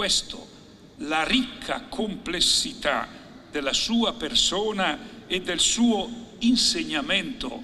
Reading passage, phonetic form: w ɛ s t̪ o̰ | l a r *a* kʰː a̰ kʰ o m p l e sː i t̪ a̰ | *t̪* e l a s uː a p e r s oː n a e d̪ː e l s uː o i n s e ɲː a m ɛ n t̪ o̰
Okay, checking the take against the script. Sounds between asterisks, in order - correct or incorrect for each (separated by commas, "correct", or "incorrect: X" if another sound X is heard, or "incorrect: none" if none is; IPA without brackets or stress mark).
incorrect: i, incorrect: d̪